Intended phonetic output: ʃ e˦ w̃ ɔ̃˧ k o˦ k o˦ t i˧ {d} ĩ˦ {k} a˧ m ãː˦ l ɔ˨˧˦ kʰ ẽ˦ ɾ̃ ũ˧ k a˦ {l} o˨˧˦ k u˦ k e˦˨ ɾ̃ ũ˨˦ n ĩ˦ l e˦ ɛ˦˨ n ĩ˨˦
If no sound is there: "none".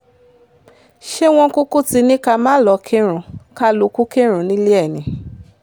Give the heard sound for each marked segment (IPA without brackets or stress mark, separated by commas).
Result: n, k, l